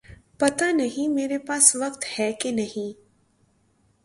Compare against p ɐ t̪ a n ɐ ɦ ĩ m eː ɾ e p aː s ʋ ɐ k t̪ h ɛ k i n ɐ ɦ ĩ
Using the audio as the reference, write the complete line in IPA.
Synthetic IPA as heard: p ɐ t̪ a n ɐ ɦ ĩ m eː ɾ e p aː s ʋ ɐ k t̪ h ɛ k e n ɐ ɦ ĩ

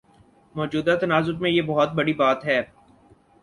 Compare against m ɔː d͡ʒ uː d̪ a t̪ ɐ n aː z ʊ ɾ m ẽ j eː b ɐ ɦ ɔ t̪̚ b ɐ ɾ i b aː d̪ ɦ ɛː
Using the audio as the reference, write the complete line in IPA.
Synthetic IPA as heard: m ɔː d͡ʒ uː d̪ a t̪ ɐ n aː z ʊ ɾ m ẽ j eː b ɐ ɦ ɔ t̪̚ b ɐ ɽ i b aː t̪ ɦ ɛː

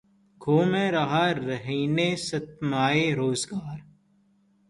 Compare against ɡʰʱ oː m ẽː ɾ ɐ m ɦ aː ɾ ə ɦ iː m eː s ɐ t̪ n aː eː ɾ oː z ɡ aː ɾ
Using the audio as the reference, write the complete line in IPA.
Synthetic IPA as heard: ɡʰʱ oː m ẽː ɾ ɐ ɦ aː ɾ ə ɦ iː n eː s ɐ t̪ m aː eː ɾ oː z ɡ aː ɾ

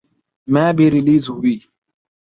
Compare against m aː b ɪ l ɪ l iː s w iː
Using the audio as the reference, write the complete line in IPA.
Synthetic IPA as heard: m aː b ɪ ɾ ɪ l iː z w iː

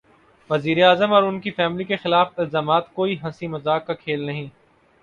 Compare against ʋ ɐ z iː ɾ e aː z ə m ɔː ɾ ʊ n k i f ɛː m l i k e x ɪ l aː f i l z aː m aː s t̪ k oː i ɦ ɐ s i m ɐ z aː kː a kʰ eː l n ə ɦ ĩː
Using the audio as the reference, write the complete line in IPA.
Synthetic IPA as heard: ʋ ɐ z iː ɾ e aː z ə m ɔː ɾ ʊ n k i f ɛː m l i k e x ɪ l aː f ɪ l z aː m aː t̪ k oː i ɦ ɐ s i m ɐ z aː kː a kʰ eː l n ɐ ɦ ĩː

